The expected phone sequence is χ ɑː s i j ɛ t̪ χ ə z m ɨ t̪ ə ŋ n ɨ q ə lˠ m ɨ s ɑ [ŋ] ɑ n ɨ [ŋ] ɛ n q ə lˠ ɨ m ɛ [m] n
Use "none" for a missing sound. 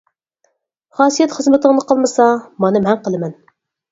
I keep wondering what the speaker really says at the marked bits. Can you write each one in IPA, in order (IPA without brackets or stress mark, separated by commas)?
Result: m, m, none